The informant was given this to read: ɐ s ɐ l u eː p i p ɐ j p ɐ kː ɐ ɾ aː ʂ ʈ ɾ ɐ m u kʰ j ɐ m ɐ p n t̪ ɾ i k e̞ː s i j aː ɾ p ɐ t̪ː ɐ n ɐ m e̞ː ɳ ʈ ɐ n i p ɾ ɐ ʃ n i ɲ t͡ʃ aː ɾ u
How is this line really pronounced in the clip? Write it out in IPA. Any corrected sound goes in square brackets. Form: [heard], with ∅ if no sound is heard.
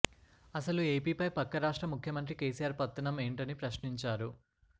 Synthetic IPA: ɐ s ɐ l u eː p [iː] p ɐ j p ɐ kː ɐ ɾ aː ʂ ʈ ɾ ɐ m u kʰ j ɐ m ɐ [∅] n t̪ ɾ i k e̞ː s i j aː ɾ p ɐ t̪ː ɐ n ɐ m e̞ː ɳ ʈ ɐ n i p ɾ ɐ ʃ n i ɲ t͡ʃ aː ɾ u

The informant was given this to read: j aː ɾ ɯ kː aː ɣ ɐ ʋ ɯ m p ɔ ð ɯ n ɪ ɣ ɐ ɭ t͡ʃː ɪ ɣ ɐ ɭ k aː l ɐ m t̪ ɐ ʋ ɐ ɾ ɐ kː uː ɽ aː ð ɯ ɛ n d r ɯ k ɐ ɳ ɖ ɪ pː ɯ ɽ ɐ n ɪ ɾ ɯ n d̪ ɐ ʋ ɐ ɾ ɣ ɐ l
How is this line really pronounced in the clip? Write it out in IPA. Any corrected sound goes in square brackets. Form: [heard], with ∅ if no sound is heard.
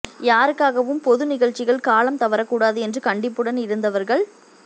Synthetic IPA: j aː ɾ ɯ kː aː ɣ ɐ ʋ ɯ m p ɔ ð ɯ n ɪ ɣ ɐ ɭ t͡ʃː ɪ ɣ ɐ ɭ k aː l ɐ m t̪ ɐ ʋ ɐ ɾ ɐ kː uː ɽ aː ð ɯ ɛ n d r ɯ k ɐ ɳ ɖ ɪ pː ɯ ɽ ɐ n ɪ ɾ ɯ n d̪ ɐ ʋ ɐ ɾ ɣ ɐ [ɭ]

